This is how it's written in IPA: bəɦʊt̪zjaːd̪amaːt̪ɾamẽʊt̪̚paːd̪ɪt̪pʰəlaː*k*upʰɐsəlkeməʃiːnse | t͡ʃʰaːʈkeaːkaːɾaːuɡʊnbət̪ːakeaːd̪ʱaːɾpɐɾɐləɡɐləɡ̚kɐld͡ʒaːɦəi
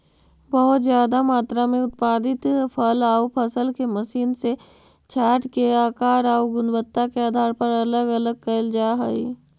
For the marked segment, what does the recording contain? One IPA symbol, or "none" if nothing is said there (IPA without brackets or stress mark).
none